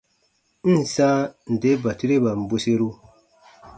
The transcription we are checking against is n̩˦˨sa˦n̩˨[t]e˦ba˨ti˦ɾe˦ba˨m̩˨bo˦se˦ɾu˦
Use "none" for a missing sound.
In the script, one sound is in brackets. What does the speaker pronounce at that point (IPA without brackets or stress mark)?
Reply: d